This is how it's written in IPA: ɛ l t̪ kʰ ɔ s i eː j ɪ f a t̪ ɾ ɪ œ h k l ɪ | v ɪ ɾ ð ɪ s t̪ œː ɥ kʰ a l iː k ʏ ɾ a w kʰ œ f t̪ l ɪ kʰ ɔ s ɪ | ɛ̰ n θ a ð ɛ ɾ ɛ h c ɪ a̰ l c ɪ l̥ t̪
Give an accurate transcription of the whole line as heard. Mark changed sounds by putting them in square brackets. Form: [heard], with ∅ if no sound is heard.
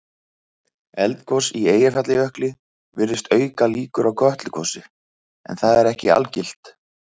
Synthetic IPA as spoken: ɛ l t̪ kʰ ɔ s i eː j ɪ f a t̪ [l] ɪ œ h k l ɪ | v ɪ ɾ ð ɪ s t̪ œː ɥ [k] a l iː k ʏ ɾ a w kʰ œ [h] t̪ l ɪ kʰ ɔ s ɪ | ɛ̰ n θ a ð ɛ ɾ ɛ h c ɪ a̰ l c ɪ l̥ t̪